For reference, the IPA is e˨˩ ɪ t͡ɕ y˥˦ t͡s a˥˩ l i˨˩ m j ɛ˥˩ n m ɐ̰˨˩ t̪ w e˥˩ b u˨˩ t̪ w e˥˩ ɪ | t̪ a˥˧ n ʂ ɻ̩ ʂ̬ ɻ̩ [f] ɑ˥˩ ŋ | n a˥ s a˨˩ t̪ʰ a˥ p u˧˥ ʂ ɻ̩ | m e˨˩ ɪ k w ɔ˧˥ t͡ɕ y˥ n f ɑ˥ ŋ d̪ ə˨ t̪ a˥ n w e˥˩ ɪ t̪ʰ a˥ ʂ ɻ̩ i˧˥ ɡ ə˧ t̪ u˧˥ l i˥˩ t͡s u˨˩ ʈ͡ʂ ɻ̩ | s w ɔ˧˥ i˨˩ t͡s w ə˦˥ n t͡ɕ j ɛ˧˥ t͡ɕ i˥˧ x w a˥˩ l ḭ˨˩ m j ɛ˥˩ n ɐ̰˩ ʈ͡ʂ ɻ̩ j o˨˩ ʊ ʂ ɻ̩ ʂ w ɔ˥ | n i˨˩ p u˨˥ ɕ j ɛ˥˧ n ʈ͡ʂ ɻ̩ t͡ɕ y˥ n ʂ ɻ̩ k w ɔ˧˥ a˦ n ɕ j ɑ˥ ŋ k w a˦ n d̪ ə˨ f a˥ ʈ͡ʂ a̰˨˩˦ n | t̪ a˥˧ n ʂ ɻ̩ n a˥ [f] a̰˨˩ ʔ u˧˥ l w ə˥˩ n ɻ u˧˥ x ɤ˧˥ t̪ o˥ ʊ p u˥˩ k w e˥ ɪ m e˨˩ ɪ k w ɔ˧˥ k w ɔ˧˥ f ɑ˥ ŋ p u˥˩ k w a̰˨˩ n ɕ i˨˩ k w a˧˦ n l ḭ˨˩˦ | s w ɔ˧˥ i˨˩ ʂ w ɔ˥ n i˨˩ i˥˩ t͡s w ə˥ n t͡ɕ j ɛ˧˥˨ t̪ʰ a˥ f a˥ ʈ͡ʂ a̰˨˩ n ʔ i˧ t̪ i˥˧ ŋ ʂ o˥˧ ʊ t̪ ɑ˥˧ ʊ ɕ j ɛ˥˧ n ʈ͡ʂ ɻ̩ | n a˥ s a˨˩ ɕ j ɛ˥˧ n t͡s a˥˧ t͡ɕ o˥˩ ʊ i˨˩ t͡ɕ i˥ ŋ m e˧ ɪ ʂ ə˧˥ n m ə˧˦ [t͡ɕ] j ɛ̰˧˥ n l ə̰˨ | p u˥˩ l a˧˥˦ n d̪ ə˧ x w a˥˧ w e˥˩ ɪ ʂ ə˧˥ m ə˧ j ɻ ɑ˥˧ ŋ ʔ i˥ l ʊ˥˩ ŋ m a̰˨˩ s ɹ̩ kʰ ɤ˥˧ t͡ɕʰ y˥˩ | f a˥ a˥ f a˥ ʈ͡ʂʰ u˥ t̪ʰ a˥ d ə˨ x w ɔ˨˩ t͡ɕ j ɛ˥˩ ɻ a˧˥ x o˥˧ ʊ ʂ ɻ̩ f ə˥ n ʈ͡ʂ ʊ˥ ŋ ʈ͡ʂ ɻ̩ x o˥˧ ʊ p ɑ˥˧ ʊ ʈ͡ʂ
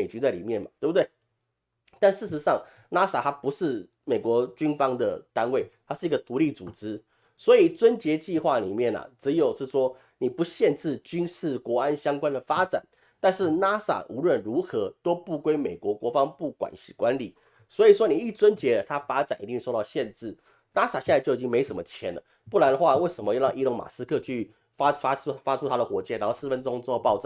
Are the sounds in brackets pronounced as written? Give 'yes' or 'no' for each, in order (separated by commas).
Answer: no, no, no